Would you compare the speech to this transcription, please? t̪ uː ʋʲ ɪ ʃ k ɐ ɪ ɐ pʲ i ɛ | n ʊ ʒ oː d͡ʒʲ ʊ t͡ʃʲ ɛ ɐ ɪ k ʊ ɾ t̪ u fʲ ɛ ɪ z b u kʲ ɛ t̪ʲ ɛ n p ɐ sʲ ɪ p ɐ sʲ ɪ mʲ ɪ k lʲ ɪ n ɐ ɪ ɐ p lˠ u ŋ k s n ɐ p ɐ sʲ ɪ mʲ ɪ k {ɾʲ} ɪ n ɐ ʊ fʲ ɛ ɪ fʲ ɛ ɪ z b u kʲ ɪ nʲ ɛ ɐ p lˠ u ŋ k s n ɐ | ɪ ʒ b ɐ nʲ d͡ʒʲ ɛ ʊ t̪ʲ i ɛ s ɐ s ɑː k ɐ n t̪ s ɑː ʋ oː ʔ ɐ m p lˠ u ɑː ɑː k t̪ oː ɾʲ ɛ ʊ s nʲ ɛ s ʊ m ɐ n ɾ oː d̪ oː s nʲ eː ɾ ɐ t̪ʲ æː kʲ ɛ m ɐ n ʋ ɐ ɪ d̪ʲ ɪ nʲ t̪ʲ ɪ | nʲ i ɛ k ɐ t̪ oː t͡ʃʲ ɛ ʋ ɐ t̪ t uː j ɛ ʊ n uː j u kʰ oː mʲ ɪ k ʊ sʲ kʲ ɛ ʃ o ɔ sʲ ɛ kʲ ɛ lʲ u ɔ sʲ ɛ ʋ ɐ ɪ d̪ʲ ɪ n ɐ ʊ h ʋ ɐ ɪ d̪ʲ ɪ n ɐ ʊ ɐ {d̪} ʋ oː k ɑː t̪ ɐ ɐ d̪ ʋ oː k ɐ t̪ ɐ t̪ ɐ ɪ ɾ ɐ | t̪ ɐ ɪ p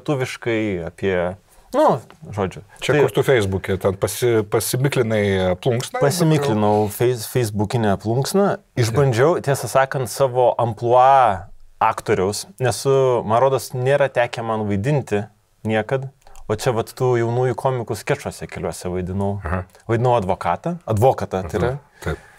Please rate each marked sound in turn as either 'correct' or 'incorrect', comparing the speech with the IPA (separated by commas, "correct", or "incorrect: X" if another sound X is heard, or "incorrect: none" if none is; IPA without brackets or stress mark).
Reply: incorrect: lʲ, correct